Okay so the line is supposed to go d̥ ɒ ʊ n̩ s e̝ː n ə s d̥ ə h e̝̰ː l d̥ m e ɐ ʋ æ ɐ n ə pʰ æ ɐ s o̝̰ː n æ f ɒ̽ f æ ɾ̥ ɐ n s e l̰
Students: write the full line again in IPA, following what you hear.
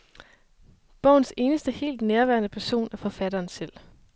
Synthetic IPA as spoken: b̥ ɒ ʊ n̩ s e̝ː n ə s d̥ ə h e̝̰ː l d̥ n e ɐ ʋ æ ɐ n ə pʰ æ ɐ s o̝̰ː n æ f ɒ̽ f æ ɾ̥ ɐː n s e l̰